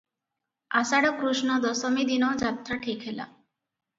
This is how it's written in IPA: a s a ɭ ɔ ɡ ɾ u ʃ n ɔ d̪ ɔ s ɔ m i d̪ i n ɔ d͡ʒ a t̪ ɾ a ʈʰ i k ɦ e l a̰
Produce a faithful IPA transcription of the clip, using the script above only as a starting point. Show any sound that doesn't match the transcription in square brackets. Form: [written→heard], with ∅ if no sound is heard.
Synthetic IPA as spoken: a s a [ɭ→ɽ] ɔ [ɡ→k] ɾ u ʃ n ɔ d̪ ɔ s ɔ m i d̪ i n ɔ d͡ʒ a t̪ ɾ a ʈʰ i k ɦ e l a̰